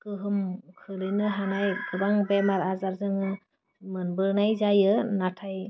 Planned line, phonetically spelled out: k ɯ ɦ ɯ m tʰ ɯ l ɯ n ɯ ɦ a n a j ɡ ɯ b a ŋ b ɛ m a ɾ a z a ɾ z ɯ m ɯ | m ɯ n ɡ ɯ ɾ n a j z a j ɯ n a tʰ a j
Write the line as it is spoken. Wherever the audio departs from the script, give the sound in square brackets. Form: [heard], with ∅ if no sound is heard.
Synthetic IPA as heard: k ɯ ɦ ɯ m [kʰ] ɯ l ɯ n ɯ ɦ a n a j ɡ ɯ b a ŋ b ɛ m a ɾ a z a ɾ z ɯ [ŋ] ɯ | m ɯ n [b] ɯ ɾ n a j z a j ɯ n a tʰ a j